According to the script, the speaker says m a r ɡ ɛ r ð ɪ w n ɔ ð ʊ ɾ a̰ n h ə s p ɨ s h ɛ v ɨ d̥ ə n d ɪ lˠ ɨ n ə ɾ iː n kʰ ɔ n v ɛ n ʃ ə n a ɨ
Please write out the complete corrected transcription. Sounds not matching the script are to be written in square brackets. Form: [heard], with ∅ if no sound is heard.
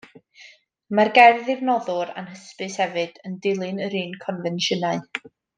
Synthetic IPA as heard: m a r ɡ ɛ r ð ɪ [v] n ɔ ð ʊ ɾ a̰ n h ə s p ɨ s h ɛ v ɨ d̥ ə n d ɪ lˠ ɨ n ə ɾ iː n kʰ ɔ n v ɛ n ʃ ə n a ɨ

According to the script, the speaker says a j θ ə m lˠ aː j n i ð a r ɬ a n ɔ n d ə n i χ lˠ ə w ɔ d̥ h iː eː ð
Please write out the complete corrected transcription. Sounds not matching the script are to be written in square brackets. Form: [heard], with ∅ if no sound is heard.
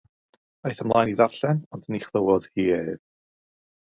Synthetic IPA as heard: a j θ ə m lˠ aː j n i ð a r ɬ [ɛ] n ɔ n d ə n i χ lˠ ə w ɔ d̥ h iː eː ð

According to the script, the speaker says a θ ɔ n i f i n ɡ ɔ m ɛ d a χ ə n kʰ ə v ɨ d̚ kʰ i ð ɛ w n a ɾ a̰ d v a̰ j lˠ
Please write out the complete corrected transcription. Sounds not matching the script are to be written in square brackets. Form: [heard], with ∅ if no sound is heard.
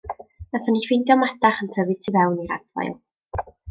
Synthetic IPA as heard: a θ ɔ n i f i n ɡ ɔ m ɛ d a χ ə n [tʰ] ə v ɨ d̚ [tʰ] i [v] ɛ w n [i] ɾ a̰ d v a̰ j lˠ

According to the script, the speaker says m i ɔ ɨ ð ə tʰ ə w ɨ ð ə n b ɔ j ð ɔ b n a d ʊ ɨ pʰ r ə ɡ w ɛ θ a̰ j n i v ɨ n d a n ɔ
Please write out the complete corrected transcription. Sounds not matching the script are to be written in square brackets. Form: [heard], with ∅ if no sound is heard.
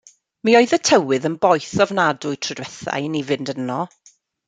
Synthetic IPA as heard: m i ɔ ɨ ð ə tʰ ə w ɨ ð ə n b ɔ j [θ] ɔ [v] n a d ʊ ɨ [tʰ] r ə [d] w ɛ θ a̰ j n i v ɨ n d [ə] n ɔ

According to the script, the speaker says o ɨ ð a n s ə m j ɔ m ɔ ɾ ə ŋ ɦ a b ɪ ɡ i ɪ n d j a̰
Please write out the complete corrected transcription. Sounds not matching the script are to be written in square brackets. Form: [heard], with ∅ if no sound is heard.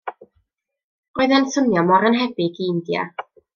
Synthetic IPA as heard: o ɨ ð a n s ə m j ɔ m ɔ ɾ ə [n] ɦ [ɛ] b ɪ ɡ i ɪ n d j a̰

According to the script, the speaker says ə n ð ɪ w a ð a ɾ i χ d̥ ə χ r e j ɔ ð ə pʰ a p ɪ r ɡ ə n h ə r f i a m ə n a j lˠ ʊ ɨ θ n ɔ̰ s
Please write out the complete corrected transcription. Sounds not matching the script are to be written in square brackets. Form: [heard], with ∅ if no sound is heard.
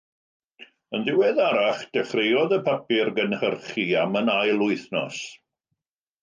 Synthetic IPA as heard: ə n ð ɪ w [ɛ] ð a ɾ [a] χ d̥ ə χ r e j ɔ ð ə pʰ a p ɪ r ɡ ə n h ə r [χ] i a m ə n a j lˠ ʊ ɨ θ n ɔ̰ s

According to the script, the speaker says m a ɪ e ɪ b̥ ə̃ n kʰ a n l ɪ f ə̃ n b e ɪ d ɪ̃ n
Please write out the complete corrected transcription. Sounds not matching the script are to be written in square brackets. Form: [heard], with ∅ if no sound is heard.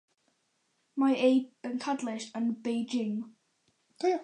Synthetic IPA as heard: m a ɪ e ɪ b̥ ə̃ n kʰ a [d] l ɪ [ʃ] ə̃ n b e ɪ [d͡ʒ] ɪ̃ [ŋ]

